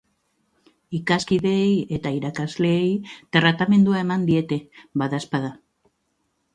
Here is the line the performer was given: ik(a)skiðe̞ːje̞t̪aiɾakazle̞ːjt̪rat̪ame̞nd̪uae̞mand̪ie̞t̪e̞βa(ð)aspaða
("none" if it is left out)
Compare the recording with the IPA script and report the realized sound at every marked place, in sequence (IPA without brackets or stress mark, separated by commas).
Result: a, ð